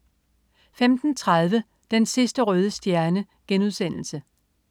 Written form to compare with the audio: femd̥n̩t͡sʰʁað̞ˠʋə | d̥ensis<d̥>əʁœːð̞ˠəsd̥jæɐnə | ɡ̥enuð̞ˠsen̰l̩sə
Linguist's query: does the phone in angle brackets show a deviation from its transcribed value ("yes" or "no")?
no